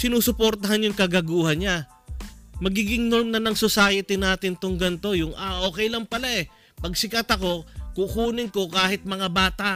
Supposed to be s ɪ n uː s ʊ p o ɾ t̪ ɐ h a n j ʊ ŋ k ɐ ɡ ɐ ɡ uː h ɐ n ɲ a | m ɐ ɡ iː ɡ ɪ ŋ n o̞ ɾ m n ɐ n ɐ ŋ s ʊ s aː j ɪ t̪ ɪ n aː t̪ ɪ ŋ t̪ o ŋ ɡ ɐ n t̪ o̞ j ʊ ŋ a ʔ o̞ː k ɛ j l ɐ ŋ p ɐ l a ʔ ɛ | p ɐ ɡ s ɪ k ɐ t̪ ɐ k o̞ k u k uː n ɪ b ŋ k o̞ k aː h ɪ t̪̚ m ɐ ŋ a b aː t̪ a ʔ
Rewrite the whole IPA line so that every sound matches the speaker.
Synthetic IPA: s ɪ n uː s ʊ p o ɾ t̪ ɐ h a n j ʊ ŋ k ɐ ɡ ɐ ɡ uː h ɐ n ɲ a | m ɐ ɡ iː ɡ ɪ ŋ n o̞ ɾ m n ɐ n ɐ ŋ s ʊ s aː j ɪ t̪ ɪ n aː t̪ ɪ n t̪ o ŋ ɡ ɐ n t̪ o̞ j ʊ ŋ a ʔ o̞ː k ɛ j l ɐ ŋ p ɐ l a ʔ ɛ | p ɐ ɡ s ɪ k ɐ t̪ ɐ k o̞ k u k uː n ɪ ŋ k o̞ k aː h ɪ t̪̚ m ɐ ŋ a b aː t̪ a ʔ